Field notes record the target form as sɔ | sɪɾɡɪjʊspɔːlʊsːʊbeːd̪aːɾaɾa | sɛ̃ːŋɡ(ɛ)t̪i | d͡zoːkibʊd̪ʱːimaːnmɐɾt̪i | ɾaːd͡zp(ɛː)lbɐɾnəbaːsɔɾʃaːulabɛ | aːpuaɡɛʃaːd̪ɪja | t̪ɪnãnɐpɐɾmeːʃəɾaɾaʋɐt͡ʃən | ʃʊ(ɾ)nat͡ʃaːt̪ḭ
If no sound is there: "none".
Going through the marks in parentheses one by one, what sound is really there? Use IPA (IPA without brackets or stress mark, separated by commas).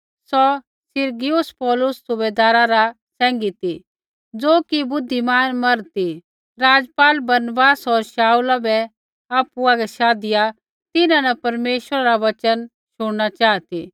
i, aː, ɽ